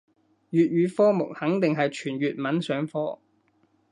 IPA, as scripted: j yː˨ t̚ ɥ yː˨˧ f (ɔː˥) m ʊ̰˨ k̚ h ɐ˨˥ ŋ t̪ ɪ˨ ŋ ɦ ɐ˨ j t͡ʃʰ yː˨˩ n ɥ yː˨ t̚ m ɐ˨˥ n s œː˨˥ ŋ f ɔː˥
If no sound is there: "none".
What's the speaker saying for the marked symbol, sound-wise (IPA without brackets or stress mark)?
ɔː˥